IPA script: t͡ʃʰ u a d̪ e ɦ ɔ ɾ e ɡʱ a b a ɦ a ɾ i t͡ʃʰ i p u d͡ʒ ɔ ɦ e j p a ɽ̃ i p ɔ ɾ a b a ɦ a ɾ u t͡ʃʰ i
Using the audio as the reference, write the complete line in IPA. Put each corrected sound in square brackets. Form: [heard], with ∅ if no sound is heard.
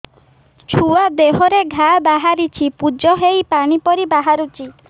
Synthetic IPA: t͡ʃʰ u a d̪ e ɦ ɔ ɾ e ɡʱ a b a ɦ a ɾ i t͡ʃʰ i p u d͡ʒ ɔ ɦ e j p a ɽ̃ i p ɔ ɾ [i] b a ɦ a ɾ u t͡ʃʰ i